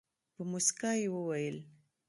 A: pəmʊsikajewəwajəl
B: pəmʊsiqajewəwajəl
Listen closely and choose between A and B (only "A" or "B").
A